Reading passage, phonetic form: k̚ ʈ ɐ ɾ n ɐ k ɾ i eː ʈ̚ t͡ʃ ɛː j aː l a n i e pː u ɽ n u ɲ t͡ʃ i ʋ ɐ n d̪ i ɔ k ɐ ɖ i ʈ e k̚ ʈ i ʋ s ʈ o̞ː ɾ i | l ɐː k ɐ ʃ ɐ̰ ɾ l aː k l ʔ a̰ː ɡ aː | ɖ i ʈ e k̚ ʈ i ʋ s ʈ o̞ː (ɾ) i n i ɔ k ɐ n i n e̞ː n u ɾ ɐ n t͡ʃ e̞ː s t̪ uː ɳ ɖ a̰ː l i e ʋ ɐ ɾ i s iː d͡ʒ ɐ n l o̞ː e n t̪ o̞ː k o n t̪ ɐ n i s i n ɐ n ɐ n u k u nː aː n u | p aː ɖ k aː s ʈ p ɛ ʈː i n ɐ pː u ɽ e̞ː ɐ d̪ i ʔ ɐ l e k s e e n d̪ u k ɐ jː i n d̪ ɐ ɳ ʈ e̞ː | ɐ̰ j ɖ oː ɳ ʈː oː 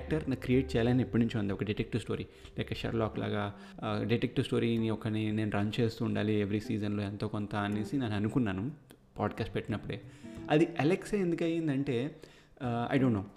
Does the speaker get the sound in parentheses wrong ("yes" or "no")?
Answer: no